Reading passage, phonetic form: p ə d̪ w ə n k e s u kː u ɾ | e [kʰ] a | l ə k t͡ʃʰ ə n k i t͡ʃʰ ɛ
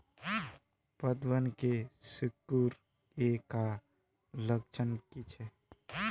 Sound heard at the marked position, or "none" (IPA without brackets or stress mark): k